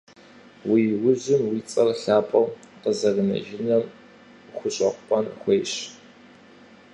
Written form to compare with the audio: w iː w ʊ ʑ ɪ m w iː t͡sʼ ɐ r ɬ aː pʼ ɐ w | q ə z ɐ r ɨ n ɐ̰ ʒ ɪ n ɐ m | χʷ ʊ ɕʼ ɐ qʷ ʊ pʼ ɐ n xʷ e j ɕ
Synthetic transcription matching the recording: w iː w ʊ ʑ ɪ m w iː t͡sʼ ɐ r ɬ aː pʼ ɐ w | q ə z ɐ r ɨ n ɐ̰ ʒ ɪ n ɐ m | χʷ ʊ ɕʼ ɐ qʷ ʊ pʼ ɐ n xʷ e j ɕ